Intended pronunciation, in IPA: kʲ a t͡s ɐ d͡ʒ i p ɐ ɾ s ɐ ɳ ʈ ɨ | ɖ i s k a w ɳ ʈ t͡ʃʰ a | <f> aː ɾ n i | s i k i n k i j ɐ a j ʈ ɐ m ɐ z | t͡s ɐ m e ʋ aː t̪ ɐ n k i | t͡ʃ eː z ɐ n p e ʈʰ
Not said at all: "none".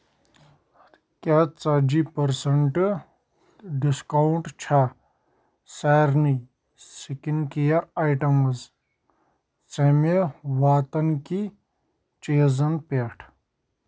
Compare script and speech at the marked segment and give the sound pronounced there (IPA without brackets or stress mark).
s